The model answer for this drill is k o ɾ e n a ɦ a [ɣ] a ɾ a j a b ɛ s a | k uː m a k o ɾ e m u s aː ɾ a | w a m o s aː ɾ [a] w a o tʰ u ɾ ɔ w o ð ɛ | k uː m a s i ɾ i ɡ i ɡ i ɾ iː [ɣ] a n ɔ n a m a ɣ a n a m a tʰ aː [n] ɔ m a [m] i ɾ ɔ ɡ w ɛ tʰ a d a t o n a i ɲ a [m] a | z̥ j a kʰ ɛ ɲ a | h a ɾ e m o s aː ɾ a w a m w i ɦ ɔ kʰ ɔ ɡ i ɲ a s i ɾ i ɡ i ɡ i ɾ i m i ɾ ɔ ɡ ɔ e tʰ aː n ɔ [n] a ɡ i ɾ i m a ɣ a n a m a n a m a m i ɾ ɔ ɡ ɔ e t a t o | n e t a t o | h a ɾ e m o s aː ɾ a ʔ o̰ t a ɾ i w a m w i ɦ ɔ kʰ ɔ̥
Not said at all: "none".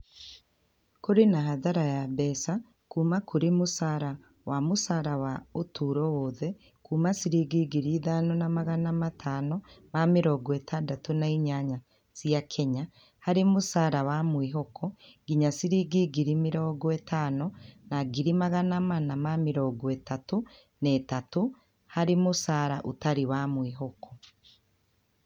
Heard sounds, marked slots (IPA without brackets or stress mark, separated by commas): ð, a, ð, n, m, ɲ, n